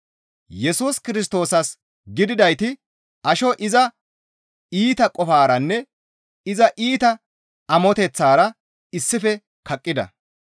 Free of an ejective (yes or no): no